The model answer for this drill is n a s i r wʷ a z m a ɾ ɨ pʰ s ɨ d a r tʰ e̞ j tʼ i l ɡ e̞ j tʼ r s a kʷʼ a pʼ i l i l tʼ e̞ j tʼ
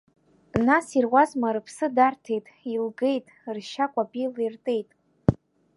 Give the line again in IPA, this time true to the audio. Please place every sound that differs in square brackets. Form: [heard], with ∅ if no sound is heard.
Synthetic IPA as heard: n a s i r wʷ a z m a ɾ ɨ pʰ s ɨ d a r tʰ e̞ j tʼ i l ɡ e̞ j tʼ r [ʃ] a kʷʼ a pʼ i l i [r] tʼ e̞ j tʼ